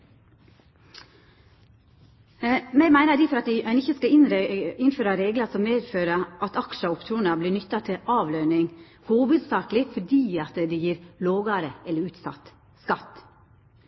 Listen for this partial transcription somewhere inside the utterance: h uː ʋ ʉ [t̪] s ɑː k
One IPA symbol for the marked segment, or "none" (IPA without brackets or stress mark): d̪